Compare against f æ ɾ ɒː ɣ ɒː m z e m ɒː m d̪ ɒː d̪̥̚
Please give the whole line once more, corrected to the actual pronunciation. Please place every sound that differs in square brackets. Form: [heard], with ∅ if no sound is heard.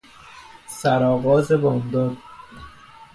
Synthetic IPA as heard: [s] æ ɾ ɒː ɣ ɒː [∅] z e [b] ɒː m d̪ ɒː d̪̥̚